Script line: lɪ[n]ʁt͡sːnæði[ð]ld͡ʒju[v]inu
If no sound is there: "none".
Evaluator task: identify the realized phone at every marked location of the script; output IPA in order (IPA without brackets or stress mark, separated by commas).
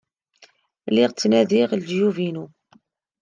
none, ʁ, v